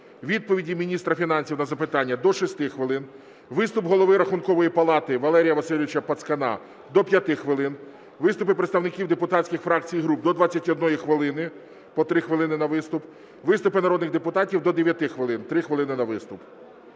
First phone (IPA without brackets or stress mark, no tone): ʋʲ